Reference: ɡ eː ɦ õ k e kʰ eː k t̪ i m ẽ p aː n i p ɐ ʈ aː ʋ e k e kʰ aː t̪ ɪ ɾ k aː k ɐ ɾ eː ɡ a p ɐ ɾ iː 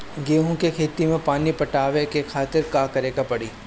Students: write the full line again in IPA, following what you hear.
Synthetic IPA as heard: ɡ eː ɦ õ k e kʰ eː t̪ i m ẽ p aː n i p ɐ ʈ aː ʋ e k e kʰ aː t̪ ɪ ɾ k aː k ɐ ɾ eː ɡ a p ɐ ɽ iː